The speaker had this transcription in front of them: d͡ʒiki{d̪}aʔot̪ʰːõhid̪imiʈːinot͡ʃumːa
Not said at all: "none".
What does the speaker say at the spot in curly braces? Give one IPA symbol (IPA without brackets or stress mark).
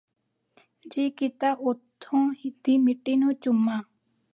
t̪